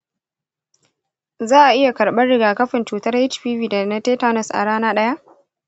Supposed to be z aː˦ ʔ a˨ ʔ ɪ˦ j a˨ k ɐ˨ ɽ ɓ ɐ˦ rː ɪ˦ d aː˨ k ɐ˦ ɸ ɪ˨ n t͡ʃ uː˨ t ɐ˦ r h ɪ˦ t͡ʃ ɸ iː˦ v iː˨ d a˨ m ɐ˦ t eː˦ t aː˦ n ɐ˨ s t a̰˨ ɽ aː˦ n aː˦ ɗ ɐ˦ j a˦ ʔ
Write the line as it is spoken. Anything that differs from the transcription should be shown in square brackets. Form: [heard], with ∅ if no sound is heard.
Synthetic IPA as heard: z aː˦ ʔ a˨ ʔ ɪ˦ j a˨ k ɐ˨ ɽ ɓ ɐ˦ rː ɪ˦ [ɡ] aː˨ k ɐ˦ ɸ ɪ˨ n t͡ʃ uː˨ t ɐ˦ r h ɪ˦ t͡ʃ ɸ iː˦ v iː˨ d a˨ [n] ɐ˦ t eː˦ t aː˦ n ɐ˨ s [ʔ] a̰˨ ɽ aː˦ n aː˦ ɗ ɐ˦ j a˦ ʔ